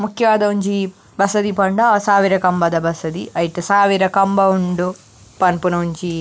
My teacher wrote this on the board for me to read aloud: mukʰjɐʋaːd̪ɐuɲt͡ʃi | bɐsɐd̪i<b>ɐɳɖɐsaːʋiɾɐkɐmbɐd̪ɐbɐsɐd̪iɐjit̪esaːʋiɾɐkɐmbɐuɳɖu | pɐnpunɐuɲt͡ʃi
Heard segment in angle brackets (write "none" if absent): p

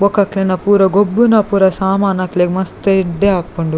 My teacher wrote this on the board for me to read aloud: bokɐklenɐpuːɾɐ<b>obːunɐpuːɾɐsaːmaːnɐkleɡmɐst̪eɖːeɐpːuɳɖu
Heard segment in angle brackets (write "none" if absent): ɡ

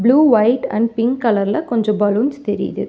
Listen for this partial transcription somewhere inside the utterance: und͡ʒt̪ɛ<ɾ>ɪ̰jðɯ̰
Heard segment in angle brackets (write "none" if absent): ɾ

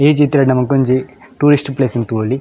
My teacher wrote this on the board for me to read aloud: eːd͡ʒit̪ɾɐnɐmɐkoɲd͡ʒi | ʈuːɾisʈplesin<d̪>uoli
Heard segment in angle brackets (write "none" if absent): t̪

